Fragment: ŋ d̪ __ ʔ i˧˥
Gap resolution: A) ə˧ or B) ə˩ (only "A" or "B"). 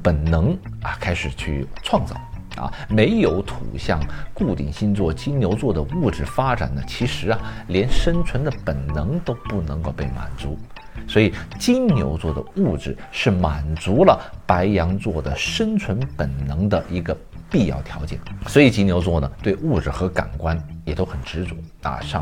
A